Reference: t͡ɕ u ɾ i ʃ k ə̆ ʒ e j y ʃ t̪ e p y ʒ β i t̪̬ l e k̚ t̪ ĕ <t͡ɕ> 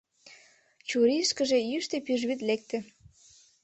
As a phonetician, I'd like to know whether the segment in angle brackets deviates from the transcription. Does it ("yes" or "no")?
yes